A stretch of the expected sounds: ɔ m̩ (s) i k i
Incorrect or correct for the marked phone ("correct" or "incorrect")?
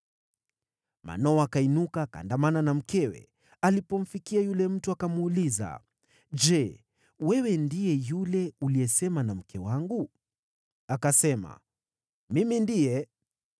incorrect